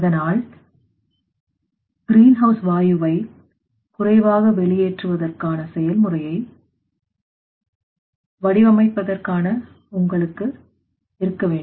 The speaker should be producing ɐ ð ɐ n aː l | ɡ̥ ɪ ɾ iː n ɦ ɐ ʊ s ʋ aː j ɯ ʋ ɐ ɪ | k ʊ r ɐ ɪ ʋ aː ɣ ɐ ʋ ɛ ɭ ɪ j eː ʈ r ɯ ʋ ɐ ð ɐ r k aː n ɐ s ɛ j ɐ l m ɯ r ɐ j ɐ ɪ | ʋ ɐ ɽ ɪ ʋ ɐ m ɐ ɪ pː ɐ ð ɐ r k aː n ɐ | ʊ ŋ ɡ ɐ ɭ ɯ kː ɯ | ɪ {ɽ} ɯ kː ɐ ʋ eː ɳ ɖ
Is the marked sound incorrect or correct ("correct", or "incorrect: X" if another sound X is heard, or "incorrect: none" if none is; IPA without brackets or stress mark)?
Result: incorrect: ɾ